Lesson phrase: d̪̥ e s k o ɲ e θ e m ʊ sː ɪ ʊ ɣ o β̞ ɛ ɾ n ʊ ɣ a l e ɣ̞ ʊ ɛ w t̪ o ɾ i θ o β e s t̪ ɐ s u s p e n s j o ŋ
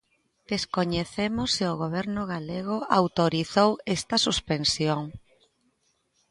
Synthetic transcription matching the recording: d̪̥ e s k o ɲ e θ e m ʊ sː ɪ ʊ ɣ o β̞ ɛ ɾ n ʊ ɣ a l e ɣ̞ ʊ a w t̪ o ɾ i θ o w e s t̪ ɐ s u s p e n s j o ŋ